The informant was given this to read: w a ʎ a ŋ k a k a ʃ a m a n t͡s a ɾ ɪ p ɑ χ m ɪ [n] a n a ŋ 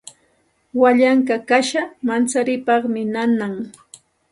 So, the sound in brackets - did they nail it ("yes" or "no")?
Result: yes